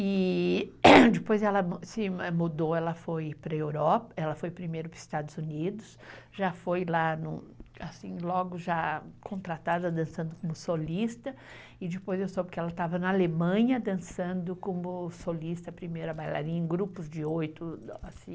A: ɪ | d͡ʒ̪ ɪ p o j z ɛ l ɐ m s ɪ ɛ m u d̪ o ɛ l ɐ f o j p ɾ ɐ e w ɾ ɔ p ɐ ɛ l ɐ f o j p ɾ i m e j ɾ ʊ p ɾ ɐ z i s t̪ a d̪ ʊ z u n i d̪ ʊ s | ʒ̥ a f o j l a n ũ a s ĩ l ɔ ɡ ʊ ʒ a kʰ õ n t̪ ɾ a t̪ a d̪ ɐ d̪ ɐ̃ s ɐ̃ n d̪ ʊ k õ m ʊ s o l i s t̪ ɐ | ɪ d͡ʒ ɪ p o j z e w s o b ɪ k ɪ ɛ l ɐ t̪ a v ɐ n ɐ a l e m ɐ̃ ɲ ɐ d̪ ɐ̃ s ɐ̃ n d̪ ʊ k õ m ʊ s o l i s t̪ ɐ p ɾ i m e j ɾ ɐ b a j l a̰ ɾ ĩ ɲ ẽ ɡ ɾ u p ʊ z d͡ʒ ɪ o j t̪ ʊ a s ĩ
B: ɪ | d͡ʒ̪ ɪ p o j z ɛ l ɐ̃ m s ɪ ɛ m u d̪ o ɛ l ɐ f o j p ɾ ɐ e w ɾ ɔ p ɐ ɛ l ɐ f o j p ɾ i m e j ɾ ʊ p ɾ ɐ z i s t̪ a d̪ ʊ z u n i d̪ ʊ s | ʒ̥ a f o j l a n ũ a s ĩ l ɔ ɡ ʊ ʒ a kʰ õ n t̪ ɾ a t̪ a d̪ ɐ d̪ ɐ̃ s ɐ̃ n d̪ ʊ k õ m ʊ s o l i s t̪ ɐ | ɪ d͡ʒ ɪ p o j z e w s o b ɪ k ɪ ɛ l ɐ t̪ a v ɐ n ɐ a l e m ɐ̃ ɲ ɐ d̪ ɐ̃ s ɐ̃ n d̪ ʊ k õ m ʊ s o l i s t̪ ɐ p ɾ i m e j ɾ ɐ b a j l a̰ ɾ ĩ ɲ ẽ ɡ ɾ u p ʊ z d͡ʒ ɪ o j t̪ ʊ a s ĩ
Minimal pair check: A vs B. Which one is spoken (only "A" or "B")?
A